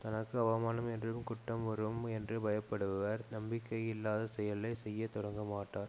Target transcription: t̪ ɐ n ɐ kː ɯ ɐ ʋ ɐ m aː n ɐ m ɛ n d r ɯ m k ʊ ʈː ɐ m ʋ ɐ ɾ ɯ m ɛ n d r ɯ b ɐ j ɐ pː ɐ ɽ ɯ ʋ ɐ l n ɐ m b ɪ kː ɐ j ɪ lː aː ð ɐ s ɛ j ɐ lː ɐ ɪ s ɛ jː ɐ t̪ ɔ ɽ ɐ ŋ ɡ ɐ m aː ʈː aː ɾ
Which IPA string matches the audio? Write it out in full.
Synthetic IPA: t̪ ɐ n ɐ kː ɯ ɐ ʋ ɐ m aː n ɐ m ɛ n d r ɯ m k ʊ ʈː ɐ m ʋ ɐ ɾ ɯ m ɛ n d r ɯ b ɐ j ɐ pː ɐ ɽ ɯ ʋ ɐ ɾ n ɐ m b ɪ kː ɐ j ɪ lː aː ð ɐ s ɛ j ɐ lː ɐ ɪ s ɛ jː ɐ t̪ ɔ ɽ ɐ ŋ ɡ ɐ m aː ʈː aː ɾ